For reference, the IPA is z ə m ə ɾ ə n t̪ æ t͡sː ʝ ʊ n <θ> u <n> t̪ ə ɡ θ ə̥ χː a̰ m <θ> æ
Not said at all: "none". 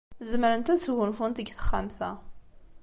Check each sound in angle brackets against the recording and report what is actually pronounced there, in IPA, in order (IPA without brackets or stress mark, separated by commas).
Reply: f, n, θ